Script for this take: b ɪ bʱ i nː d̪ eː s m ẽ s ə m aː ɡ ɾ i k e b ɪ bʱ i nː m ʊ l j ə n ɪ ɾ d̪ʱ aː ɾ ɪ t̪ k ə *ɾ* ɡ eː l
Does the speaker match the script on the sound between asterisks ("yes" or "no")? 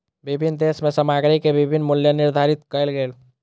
no